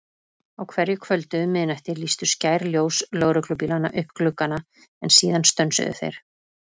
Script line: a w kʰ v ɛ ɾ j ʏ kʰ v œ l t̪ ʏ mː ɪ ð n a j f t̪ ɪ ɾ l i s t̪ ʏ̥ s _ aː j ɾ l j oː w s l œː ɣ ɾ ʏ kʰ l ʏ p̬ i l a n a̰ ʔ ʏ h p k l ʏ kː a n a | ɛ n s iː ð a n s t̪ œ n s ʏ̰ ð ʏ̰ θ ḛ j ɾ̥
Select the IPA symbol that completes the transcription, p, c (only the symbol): c